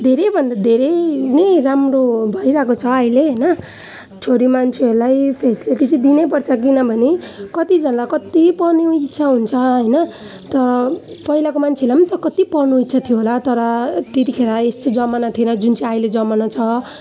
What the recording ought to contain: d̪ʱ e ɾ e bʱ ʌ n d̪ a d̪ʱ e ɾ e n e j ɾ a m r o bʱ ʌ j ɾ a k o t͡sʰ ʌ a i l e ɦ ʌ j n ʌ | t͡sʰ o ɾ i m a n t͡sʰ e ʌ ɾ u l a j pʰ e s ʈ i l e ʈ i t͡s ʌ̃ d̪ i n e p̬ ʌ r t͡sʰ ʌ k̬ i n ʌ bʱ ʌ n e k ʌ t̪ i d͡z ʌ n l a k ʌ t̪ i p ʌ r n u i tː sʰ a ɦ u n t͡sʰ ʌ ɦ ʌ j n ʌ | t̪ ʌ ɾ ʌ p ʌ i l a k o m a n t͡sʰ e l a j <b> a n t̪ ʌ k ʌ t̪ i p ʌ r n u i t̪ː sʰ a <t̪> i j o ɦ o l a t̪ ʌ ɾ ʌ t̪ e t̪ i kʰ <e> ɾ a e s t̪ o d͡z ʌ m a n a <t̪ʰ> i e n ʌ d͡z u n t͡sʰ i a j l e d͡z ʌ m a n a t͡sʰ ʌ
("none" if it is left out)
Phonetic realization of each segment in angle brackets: m, t̪ʰ, e, t̪ʰ

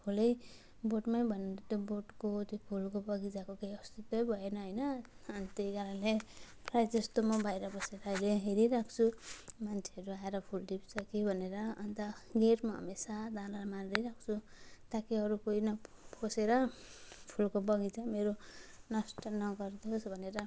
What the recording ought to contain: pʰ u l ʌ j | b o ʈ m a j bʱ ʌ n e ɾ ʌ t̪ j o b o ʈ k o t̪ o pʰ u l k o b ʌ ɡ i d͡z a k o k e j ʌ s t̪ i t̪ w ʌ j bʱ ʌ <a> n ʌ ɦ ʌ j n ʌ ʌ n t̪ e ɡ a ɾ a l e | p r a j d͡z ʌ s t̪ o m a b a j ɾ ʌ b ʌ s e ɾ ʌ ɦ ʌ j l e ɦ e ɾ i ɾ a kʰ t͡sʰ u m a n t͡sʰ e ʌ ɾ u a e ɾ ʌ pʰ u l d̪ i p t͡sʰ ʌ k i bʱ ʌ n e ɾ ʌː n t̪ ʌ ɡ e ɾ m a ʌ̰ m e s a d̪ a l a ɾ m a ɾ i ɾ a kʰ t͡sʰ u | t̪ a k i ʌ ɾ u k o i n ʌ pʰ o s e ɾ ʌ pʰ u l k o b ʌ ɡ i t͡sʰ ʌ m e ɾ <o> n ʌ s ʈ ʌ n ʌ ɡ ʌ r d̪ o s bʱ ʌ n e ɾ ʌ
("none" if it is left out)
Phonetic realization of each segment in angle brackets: e, o

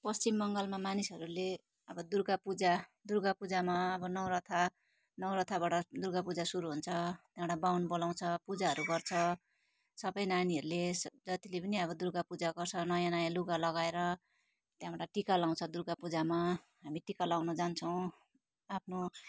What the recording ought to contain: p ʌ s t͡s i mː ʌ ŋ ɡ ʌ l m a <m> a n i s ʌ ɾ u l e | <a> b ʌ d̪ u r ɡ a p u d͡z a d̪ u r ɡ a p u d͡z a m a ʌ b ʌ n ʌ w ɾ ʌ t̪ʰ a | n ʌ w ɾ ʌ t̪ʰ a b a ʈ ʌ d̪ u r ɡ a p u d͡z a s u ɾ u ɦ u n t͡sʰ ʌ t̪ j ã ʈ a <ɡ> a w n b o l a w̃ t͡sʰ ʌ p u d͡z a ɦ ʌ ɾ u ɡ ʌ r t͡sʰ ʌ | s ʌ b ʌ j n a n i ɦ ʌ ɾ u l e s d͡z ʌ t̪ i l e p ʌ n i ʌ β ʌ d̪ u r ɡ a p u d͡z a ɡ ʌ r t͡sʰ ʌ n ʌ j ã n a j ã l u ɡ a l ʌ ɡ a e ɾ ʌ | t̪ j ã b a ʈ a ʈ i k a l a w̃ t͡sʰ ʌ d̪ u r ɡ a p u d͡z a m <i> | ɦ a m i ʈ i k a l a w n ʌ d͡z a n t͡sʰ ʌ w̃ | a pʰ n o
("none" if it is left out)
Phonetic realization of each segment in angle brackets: m, ʌ, b, a

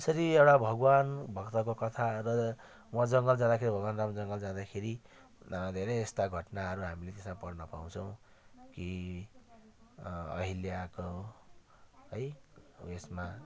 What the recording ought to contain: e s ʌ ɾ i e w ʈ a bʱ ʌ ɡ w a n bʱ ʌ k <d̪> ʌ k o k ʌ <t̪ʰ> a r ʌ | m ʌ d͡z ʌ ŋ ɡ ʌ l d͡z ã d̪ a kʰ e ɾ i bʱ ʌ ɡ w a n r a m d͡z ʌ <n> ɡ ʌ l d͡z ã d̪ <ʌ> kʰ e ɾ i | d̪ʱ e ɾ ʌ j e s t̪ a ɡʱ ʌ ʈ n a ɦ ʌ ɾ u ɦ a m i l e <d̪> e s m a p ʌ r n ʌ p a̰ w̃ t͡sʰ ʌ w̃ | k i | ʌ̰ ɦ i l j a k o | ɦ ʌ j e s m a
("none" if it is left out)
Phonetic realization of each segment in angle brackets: t̪, t̪ʰ, ŋ, a, t̪

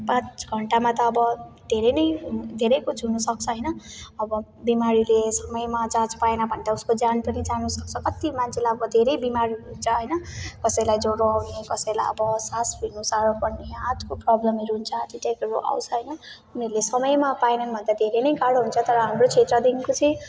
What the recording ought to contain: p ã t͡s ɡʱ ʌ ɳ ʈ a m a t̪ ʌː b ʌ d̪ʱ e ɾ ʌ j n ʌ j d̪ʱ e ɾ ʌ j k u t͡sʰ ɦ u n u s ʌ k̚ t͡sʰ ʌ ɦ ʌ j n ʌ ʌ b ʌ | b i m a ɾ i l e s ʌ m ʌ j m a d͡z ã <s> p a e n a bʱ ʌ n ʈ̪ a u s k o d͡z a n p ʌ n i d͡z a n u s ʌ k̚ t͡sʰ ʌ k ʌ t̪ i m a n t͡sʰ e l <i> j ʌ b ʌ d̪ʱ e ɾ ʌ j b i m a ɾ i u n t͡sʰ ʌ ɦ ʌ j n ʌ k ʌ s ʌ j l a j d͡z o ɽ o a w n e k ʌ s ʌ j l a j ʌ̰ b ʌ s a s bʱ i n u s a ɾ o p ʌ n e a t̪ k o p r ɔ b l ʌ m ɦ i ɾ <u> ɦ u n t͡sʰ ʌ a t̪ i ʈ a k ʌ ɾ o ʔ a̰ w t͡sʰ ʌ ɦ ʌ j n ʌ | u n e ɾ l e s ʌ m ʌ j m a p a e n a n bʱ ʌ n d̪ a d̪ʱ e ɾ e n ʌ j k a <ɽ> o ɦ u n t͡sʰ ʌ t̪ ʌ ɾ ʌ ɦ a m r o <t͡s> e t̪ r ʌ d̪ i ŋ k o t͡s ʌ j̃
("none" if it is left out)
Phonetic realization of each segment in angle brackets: t͡s, a, u, ɽ, t͡sʰ

